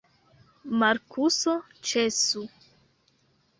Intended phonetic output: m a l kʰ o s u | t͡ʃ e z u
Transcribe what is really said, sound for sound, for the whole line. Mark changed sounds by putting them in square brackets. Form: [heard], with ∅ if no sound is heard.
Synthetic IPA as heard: m a [ɾ] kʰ [u] s [o] | t͡ʃ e [s] u